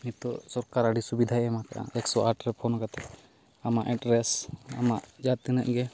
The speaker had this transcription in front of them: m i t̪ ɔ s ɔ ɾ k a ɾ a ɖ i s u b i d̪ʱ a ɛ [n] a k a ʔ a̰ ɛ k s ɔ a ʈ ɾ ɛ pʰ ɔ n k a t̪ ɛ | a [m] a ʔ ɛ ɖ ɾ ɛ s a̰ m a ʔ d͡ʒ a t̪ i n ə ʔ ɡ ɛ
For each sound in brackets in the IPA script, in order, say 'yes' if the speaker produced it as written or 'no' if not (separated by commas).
no, yes